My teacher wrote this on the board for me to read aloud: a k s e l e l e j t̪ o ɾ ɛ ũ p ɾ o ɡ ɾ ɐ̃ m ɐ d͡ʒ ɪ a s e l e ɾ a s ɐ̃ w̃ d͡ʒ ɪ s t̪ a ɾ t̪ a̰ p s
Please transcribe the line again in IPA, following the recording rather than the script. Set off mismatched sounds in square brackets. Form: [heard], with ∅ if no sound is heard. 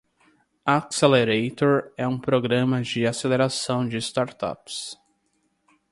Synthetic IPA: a k s e l e [ɾ] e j t̪ o ɾ ɛ ũ p ɾ o ɡ ɾ ɐ̃ m ɐ d͡ʒ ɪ a s e l e ɾ a s ɐ̃ w̃ d͡ʒ ɪ s t̪ a ɾ t̪ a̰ p s

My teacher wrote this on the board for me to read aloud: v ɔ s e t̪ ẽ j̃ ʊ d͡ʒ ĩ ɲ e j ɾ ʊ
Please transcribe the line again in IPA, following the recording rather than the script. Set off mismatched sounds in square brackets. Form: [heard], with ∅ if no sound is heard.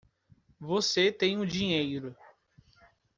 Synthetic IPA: v [o] s e t̪ ẽ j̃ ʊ d͡ʒ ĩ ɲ e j ɾ ʊ

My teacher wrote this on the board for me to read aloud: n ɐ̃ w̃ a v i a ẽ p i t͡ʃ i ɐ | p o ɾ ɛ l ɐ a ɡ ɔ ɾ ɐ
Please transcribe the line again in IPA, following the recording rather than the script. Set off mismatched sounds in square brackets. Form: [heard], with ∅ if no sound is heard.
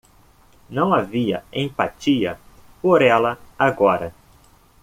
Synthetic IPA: n ɐ̃ w̃ a v i [ɐ] ẽ p [a] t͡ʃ i ɐ | p o ɾ ɛ l ɐ a ɡ ɔ ɾ ɐ

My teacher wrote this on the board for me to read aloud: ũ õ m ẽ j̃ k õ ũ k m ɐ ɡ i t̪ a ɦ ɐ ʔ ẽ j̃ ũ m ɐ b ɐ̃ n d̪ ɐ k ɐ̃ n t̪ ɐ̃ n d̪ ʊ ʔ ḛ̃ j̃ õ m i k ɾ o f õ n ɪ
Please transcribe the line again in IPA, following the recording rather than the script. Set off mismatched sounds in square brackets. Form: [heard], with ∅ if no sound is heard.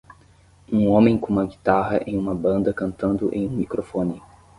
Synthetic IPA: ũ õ m ẽ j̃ k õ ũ [∅] m ɐ ɡ i t̪ a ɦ ɐ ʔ ẽ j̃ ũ m ɐ b ɐ̃ n d̪ ɐ k ɐ̃ n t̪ ɐ̃ n d̪ ʊ ʔ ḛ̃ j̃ [ũ] m i k ɾ o f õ n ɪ

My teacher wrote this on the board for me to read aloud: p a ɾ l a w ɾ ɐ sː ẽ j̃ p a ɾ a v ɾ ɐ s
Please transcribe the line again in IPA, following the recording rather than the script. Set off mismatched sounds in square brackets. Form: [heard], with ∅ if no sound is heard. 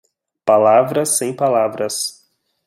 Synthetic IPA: p a [∅] l a [v] ɾ ɐ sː ẽ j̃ p a [l] a v ɾ ɐ s

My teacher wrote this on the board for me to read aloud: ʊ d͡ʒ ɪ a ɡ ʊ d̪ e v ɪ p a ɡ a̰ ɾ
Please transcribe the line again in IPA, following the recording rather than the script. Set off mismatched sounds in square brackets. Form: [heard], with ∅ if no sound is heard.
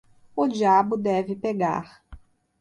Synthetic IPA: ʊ d͡ʒ [i] a [b] ʊ d̪ [ɛ] v ɪ p [e] ɡ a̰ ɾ

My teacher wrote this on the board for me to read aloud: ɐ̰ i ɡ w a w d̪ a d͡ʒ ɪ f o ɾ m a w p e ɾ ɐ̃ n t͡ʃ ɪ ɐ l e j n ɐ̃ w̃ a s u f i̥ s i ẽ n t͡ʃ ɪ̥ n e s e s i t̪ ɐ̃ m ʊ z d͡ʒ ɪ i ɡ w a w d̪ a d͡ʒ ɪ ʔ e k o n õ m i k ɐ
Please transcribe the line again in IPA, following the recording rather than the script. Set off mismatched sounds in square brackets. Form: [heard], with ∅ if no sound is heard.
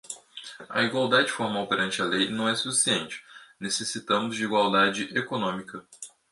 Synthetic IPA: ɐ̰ i ɡ w a w d̪ a d͡ʒ ɪ f o ɾ m a w p e ɾ ɐ̃ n t͡ʃ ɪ ɐ l e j n ɐ̃ w̃ [ɛ] s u f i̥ s i ẽ n t͡ʃ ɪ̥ n e s e s i t̪ ɐ̃ m ʊ z d͡ʒ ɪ i ɡ w a w d̪ a d͡ʒ ɪ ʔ e k o n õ m i k ɐ

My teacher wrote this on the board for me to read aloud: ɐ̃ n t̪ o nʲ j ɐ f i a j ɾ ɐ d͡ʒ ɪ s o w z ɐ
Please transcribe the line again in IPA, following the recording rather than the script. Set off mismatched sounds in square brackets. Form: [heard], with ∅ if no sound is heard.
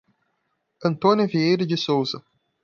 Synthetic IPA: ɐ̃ n t̪ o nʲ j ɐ [v] i [e] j ɾ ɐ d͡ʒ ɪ s o w z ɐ

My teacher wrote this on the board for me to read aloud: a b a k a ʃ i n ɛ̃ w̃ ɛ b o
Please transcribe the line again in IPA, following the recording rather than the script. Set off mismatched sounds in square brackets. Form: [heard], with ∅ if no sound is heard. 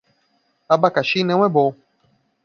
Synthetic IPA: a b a k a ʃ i n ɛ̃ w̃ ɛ b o

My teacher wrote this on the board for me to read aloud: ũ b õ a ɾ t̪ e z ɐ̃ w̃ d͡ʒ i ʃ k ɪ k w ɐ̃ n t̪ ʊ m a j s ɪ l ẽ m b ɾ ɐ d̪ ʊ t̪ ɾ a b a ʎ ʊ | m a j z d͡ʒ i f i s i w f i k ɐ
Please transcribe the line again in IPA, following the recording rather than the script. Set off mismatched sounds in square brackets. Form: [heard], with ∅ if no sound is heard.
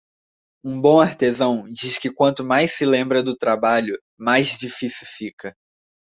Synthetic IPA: ũ b õ a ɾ t̪ e z ɐ̃ w̃ d͡ʒ i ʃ k ɪ k w ɐ̃ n t̪ ʊ m a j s ɪ l ẽ m b ɾ ɐ d̪ ʊ t̪ ɾ a b a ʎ ʊ | m a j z d͡ʒ i f i s i w f i k ɐ

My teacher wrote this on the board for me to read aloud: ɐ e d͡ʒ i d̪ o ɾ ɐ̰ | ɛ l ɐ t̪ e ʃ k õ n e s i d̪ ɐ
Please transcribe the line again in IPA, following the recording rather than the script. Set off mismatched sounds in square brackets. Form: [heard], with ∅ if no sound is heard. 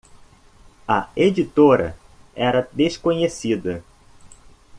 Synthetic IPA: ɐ e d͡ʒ i [t̪] o ɾ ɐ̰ | ɛ [ɾ] ɐ [d̪] e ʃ k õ [ɲ] e s i d̪ ɐ

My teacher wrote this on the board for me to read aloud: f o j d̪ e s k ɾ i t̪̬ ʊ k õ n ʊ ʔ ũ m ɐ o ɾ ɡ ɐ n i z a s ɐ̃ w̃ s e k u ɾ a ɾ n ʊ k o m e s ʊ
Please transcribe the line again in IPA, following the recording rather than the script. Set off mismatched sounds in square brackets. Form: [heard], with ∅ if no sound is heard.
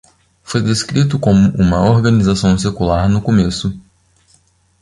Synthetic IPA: f o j d̪ e s k ɾ i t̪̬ ʊ k õ [m] ʊ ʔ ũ m ɐ o ɾ ɡ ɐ n i z a s ɐ̃ w̃ s e k u [l] a ɾ n ʊ k o m e s ʊ

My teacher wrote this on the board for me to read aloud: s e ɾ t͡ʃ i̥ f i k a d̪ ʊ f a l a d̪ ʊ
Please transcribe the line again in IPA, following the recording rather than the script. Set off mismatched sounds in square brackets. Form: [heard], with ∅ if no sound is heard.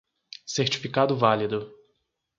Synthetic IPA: s e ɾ t͡ʃ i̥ f i k a d̪ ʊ [v] a l [i] d̪ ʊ

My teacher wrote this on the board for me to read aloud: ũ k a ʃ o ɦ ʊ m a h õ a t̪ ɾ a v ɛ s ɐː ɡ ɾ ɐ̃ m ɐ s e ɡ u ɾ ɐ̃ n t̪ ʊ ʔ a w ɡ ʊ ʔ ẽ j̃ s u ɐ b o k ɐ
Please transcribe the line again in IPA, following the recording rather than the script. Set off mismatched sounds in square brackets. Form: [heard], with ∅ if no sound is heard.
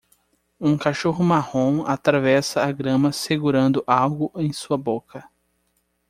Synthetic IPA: ũ k a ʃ o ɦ ʊ m a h õ a t̪ ɾ a v ɛ s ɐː ɡ ɾ ɐ̃ m ɐ s e ɡ u ɾ ɐ̃ n [d̪] ʊ ʔ a w ɡ ʊ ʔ ẽ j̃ s u ɐ b o k ɐ

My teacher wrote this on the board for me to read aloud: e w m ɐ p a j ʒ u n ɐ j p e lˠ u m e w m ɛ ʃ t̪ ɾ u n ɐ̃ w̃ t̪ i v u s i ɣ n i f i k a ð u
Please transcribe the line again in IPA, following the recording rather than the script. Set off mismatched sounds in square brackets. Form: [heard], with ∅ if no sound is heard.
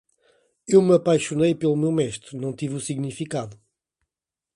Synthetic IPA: e w m ɐ p a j [ʃ] u n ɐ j p e lˠ u m e w m ɛ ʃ t̪ ɾ u n ɐ̃ w̃ t̪ i v u s i ɣ n i f i k a ð u

